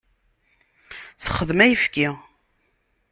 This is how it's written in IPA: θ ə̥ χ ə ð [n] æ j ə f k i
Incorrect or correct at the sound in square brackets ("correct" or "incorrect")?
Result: incorrect